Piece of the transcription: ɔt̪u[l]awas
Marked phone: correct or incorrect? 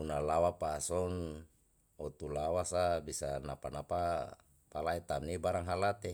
correct